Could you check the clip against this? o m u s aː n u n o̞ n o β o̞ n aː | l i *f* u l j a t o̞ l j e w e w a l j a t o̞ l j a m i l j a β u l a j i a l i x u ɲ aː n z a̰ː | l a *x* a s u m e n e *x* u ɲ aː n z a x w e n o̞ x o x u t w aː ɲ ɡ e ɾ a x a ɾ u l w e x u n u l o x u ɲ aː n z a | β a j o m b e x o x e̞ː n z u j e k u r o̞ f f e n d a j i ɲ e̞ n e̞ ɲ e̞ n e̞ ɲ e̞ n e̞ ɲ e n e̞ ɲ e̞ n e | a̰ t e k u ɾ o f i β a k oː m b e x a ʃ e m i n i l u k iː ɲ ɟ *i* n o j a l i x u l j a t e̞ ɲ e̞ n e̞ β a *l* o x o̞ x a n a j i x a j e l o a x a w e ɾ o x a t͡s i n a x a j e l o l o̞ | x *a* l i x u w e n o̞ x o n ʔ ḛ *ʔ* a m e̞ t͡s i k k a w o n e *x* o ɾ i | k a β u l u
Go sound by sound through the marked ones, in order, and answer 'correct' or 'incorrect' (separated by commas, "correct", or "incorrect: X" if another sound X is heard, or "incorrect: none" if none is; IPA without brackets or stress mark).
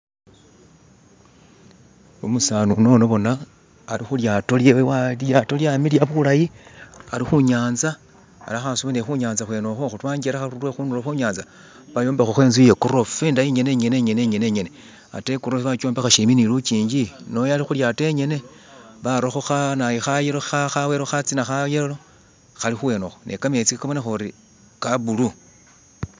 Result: incorrect: x, correct, correct, correct, incorrect: ɾ, correct, incorrect: k, correct